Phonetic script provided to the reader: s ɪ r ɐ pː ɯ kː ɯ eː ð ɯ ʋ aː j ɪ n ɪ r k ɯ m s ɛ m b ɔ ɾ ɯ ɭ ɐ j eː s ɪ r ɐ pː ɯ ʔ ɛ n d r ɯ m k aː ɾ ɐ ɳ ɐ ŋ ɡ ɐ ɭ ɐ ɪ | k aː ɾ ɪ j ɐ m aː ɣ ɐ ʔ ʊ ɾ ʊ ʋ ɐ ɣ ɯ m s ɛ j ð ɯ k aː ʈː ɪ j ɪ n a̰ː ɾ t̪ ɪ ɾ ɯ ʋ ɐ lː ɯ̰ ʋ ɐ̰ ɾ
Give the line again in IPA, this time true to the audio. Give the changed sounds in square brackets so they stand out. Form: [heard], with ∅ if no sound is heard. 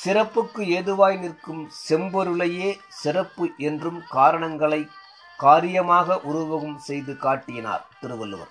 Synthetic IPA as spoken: s ɪ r ɐ pː ɯ kː ɯ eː ð ɯ ʋ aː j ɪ n ɪ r k ɯ m s ɛ m b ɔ ɾ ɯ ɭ ɐ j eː s ɪ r ɐ pː ɯ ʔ ɛ n d r ɯ m k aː ɾ ɐ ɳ ɐ ŋ ɡ ɐ ɭ ɐ ɪ | k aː ɾ ɪ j ɐ m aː ɣ ɐ ʔ ʊ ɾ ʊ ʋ ɐ ɣ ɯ m s ɛ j ð ɯ k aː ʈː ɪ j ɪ n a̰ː ɾ t̪ ɪ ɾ ɯ ʋ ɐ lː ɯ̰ ʋ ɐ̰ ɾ